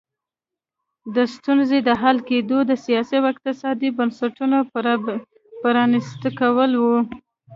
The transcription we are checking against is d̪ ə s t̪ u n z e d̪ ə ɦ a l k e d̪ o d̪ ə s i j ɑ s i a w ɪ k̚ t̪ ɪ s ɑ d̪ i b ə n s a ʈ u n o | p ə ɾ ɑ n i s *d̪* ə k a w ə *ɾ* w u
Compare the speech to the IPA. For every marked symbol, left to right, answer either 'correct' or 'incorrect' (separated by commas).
incorrect, incorrect